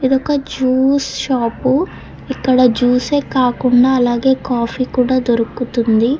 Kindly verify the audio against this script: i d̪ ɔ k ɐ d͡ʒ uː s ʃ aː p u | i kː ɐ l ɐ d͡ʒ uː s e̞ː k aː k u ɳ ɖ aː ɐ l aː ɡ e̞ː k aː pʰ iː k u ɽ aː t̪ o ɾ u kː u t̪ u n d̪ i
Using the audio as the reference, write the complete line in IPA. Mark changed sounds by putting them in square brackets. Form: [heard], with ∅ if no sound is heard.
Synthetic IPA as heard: i d̪ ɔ k ɐ d͡ʒ uː s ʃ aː p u | i kː ɐ [ɽ] ɐ d͡ʒ uː s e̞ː k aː k u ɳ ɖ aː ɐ l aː ɡ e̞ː k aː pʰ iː k [uː] ɽ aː [d̪] o ɾ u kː u t̪ u n d̪ i